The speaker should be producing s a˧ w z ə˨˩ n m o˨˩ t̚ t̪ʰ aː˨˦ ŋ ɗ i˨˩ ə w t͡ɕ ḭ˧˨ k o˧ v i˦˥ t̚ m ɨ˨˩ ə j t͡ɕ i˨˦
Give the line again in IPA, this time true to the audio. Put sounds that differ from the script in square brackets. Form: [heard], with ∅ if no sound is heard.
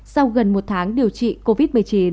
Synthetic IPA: s a˧ w [ɣ] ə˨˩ n m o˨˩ t̚ t̪ʰ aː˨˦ ŋ ɗ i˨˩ ə w t͡ɕ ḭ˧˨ k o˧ v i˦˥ t̚ m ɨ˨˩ ə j t͡ɕ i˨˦